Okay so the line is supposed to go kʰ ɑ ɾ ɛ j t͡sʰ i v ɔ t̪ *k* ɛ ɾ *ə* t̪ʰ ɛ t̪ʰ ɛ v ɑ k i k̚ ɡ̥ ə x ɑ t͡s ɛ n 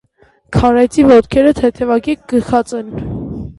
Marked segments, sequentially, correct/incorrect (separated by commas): incorrect, correct